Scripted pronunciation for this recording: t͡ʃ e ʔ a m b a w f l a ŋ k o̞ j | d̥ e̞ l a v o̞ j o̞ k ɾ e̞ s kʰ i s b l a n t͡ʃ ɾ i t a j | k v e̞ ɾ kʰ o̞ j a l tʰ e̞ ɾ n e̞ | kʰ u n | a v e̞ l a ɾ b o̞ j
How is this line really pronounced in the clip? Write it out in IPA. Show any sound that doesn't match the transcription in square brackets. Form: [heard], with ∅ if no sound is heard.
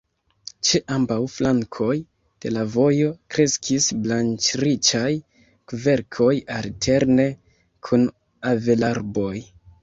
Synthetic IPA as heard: t͡ʃ e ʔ a m b a w f l a ŋ [kʰ] o̞ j | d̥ e̞ l a v o̞ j o̞ k ɾ e̞ s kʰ i s b l a n t͡ʃ ɾ i [t͡ʃ] a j | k v e̞ ɾ kʰ o̞ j a l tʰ e̞ ɾ n e̞ | kʰ u n | a v e̞ l a ɾ b o̞ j